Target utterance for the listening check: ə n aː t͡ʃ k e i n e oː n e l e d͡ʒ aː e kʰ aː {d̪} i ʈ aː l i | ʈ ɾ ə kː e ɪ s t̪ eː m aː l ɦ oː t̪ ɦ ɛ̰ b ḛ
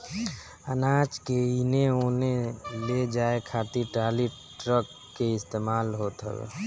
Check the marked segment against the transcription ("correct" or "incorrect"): incorrect